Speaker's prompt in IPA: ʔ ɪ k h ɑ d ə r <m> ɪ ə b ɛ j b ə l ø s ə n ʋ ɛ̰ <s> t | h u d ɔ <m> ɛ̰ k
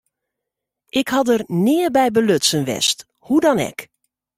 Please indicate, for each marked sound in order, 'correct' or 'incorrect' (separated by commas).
incorrect, correct, incorrect